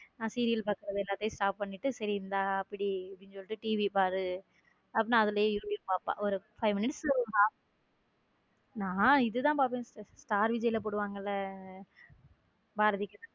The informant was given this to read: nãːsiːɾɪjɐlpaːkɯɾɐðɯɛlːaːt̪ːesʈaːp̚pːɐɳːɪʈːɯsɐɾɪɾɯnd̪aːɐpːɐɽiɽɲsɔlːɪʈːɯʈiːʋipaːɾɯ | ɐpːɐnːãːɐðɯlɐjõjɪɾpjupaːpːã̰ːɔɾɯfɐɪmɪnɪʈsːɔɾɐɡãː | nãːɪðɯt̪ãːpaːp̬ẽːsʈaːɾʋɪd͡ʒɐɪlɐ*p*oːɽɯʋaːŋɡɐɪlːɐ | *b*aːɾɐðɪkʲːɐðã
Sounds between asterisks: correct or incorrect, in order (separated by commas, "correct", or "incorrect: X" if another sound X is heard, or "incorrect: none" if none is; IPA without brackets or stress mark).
correct, correct